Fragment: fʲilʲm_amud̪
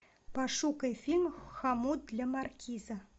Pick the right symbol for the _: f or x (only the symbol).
x